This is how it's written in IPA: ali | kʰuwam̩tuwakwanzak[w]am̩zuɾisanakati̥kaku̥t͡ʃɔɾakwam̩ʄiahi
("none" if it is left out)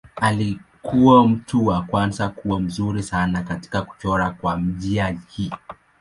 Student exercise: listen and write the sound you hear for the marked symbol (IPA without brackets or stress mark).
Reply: u